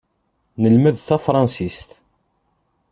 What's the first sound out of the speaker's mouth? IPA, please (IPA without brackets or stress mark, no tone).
n